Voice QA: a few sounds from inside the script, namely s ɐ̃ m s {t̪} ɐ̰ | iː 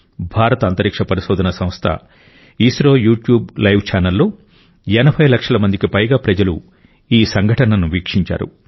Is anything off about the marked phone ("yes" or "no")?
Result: yes